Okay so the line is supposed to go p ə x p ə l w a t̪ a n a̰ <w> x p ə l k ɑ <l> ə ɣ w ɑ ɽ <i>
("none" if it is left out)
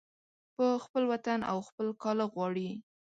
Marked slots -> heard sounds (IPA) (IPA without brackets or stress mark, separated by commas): w, l, i